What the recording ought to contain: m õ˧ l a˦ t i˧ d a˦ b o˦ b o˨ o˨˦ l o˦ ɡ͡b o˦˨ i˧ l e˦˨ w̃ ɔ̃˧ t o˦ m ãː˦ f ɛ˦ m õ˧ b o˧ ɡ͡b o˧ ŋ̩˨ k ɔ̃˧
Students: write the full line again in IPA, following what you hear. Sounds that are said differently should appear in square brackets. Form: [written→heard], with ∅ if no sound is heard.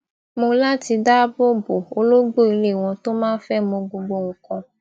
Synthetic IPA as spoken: m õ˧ l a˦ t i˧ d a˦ b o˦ b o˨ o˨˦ l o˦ ɡ͡b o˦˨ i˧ l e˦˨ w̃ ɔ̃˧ t o˦ m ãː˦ f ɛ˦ m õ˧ [b→ɡ͡b] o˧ ɡ͡b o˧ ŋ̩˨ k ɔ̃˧